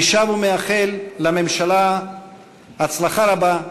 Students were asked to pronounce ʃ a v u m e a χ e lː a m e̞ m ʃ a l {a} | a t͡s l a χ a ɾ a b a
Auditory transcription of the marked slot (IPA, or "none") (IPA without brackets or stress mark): a